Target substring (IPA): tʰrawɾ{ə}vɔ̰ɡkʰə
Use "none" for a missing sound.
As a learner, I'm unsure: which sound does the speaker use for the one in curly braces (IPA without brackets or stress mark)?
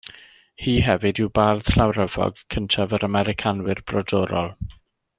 ə